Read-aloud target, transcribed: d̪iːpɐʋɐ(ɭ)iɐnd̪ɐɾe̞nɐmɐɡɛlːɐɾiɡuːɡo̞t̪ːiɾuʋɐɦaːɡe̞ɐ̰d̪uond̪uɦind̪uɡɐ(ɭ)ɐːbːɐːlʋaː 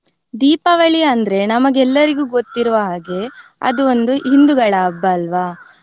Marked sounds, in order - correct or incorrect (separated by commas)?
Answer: correct, correct